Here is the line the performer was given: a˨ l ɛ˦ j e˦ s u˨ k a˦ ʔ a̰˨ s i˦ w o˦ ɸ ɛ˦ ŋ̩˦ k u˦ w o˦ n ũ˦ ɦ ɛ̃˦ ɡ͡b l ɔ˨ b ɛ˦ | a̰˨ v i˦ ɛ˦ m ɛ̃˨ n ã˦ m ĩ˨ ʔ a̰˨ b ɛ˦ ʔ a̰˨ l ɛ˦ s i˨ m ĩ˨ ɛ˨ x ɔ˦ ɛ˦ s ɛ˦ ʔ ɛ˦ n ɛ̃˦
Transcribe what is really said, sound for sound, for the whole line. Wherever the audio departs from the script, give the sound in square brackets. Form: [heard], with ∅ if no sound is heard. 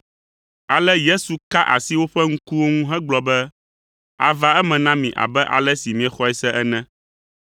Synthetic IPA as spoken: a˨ l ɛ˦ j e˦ s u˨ k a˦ ʔ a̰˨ s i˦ w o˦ ɸ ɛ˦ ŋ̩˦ k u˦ w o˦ [ŋ] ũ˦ ɦ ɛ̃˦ ɡ͡b l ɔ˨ b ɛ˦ | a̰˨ v [a˦] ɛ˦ m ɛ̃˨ n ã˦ m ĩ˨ ʔ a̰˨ b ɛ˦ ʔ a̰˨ l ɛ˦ s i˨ m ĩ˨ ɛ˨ x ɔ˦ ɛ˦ s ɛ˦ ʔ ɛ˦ n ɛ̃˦